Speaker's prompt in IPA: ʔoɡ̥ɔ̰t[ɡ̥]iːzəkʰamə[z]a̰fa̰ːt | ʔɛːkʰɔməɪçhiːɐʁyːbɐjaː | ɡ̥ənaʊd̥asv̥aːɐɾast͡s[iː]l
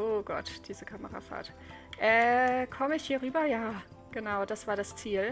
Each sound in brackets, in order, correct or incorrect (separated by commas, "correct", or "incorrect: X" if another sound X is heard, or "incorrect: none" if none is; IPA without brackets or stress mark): incorrect: d̥, incorrect: ʁ, correct